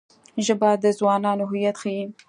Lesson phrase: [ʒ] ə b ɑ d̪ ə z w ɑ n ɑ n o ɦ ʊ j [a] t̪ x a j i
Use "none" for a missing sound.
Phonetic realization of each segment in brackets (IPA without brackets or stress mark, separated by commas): ʒ, a